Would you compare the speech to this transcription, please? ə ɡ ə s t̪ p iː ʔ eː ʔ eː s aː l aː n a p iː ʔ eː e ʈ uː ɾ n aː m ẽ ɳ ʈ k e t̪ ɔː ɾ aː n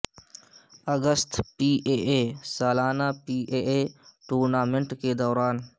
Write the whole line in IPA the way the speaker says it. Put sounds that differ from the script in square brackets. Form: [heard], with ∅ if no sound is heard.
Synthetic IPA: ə ɡ ə s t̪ p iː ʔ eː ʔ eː s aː l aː n a p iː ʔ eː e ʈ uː ɾ n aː m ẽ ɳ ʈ k e [d̪] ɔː ɾ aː n